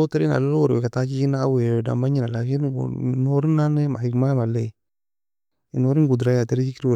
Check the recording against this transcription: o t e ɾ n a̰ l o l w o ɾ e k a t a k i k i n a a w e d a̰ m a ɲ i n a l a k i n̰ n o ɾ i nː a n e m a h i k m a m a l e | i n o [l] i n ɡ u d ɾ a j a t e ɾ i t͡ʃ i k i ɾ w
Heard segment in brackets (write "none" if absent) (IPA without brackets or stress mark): ɾ